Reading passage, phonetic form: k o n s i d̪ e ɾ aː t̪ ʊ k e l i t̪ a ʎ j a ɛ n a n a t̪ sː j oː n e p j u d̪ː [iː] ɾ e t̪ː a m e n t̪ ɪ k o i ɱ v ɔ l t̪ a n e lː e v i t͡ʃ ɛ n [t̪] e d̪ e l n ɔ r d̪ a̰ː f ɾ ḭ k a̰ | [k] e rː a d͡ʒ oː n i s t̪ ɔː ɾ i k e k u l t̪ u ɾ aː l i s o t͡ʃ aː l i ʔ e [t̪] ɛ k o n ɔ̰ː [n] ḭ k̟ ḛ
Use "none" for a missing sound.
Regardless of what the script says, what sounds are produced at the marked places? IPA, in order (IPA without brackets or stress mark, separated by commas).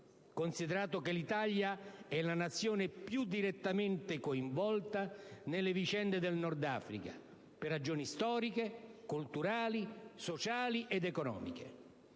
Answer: i, d̪, p, d̪, m